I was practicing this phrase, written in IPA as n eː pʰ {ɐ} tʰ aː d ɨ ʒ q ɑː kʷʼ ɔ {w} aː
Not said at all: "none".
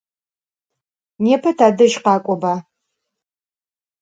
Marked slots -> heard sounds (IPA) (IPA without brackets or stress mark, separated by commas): ɐ, b